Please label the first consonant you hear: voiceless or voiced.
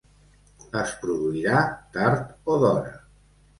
voiceless